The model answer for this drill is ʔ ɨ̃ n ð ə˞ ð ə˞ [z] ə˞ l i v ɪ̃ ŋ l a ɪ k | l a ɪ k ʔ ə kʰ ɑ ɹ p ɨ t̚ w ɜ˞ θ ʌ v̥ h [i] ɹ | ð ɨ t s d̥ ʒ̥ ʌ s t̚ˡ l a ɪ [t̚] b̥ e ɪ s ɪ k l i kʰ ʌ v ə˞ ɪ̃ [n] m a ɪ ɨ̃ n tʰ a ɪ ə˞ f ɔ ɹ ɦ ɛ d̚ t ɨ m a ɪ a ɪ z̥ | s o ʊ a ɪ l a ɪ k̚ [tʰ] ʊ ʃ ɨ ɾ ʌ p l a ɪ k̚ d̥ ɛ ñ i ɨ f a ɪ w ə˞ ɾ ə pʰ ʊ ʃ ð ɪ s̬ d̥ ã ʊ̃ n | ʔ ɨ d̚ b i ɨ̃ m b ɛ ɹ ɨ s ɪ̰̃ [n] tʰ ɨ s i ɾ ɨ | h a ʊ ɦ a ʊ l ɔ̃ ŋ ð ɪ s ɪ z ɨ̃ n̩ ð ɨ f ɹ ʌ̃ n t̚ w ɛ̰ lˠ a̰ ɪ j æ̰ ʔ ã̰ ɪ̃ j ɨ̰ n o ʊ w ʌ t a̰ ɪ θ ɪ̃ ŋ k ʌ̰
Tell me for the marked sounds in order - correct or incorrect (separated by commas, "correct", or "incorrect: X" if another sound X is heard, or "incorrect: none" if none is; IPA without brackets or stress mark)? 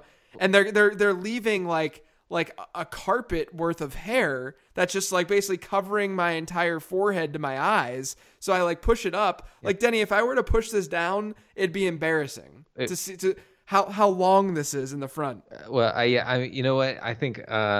incorrect: ð, incorrect: ɛ, incorrect: k̚, incorrect: ŋ, incorrect: pʰ, incorrect: ŋ